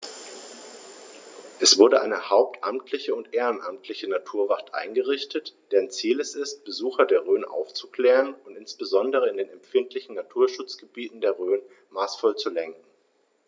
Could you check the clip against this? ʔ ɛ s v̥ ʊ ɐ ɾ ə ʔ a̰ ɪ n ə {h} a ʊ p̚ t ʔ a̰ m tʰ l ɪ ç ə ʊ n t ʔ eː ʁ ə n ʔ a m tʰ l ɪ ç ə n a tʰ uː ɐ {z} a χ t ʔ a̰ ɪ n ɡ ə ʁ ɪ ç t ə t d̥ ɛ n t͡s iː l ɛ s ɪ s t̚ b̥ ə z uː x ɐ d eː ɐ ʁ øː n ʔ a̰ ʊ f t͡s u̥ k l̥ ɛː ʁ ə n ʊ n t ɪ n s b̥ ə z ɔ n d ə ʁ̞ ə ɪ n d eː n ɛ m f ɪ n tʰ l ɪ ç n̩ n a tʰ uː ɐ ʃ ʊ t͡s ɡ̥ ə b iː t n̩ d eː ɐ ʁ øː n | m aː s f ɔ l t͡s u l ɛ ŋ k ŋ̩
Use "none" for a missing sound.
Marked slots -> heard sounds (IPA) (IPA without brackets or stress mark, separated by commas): h, v